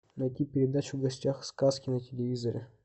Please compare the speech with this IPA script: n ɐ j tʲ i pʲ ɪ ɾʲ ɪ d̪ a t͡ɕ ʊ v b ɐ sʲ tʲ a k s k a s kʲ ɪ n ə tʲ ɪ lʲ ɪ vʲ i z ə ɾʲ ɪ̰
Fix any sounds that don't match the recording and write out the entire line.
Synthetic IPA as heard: n ɐ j tʲ i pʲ ɪ ɾʲ ɪ d̪ a t͡ɕ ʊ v ɡ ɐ sʲ tʲ a x s k a s kʲ ɪ n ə tʲ ɪ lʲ ɪ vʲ i z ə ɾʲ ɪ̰